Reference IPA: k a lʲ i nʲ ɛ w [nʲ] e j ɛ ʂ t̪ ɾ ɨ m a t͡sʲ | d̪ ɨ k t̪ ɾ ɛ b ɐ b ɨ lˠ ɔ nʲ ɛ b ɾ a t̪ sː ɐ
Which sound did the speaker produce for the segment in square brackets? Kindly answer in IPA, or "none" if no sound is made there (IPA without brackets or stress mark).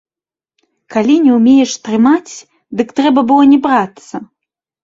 mʲ